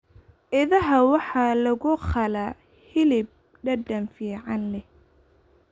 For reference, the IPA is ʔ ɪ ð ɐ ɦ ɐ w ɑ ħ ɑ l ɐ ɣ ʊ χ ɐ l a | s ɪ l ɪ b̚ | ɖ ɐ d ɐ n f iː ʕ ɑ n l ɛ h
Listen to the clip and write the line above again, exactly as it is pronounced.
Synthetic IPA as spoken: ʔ ɪ ð ɐ ɦ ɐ w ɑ ħ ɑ l ɐ ɣ ʊ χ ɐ l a | h ɪ l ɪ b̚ | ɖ ɐ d ɐ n f iː ʕ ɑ n l ɛ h